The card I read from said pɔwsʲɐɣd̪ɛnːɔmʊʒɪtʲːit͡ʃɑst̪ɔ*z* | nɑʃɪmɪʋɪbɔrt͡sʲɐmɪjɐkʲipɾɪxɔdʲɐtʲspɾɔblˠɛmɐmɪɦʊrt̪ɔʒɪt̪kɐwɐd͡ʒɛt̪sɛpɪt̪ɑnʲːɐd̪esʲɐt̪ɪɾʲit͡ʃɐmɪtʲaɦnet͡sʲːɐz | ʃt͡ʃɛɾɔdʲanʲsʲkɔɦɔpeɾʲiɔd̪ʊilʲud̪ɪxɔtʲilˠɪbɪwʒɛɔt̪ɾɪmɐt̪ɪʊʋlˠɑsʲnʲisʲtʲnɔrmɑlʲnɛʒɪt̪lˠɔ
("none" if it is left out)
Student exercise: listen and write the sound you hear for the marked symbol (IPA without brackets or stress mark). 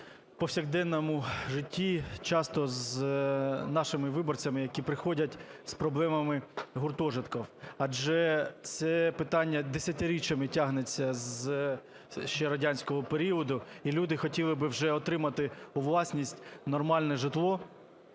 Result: z